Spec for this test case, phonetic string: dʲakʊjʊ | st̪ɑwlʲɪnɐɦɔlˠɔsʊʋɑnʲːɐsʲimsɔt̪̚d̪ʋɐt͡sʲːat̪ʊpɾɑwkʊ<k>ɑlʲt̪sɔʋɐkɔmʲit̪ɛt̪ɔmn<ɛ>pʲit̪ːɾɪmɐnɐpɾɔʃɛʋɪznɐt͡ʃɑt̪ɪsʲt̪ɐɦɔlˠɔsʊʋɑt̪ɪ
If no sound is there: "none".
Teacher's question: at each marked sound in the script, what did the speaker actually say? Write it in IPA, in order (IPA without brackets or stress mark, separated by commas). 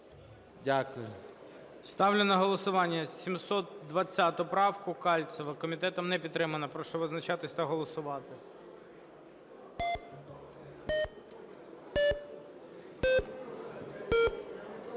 k, ɛ